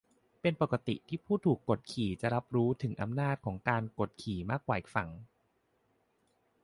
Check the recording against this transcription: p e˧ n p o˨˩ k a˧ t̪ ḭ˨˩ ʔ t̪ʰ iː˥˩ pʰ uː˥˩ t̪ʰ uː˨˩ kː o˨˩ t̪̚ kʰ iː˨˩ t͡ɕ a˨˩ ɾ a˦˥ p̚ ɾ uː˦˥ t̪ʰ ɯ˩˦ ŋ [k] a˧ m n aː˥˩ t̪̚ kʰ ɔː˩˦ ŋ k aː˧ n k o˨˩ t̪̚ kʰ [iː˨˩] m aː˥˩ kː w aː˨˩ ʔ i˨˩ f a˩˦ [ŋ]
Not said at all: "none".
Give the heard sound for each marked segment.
ʔ, iː˨˩, ŋ

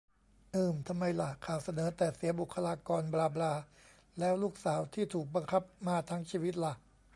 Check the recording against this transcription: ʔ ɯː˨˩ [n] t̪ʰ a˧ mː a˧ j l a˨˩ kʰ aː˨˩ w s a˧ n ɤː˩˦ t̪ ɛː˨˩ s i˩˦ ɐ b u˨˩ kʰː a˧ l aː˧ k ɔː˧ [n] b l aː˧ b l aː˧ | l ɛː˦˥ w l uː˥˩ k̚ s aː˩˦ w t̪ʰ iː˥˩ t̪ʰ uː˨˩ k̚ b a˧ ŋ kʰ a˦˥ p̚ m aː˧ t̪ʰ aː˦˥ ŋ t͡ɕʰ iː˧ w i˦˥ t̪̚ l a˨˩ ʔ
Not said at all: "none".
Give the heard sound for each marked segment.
m, n

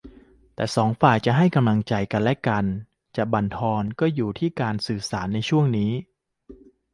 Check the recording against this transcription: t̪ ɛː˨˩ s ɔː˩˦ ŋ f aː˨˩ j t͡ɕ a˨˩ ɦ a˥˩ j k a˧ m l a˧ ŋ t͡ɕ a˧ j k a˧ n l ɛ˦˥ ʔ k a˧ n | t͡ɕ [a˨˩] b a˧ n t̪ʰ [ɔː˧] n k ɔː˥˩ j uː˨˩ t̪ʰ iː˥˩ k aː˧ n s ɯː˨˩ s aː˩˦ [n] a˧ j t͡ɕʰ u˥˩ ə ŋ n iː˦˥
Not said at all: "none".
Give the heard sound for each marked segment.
a˨˩, ɔː˧, nː

